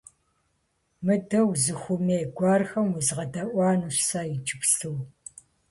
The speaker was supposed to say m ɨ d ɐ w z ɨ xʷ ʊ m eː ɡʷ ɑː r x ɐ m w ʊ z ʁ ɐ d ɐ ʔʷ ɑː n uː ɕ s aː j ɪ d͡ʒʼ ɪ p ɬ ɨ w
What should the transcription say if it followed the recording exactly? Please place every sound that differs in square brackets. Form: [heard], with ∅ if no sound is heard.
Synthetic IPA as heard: m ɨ d ɐ w z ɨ xʷ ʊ m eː ɡʷ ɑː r x ɐ m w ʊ z ʁ ɐ d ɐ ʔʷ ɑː n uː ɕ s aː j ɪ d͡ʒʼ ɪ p ɬ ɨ w